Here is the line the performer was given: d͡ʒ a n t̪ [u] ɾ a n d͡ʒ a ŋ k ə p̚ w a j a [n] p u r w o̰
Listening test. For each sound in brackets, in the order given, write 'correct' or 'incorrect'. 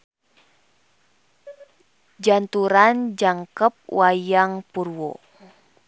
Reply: correct, incorrect: ŋ

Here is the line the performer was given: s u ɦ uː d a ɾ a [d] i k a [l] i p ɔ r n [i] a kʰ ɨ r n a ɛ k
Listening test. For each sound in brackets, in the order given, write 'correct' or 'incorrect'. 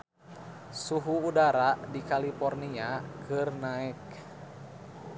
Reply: correct, correct, correct

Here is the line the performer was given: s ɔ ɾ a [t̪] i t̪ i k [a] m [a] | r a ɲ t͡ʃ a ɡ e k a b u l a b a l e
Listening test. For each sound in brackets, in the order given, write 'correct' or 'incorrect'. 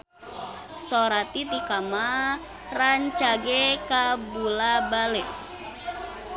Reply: correct, correct, correct

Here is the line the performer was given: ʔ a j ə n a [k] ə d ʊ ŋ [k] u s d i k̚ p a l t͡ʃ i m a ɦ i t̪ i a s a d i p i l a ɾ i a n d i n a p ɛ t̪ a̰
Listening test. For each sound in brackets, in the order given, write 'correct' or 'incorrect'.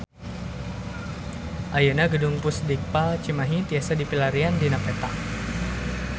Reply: incorrect: ɡ, incorrect: p

